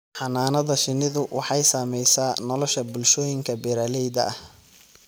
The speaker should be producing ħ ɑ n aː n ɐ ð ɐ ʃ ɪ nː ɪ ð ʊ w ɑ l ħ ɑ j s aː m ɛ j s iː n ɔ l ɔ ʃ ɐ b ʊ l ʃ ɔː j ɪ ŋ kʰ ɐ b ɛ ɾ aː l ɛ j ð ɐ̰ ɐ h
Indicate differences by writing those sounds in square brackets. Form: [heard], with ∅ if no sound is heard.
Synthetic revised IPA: ħ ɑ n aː n ɐ ð ɐ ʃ ɪ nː ɪ ð ʊ w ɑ [∅] ħ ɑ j s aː m ɛ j s [aː] n ɔ l ɔ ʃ ɐ b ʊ l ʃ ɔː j ɪ ŋ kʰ ɐ b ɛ ɾ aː l ɛ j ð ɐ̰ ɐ h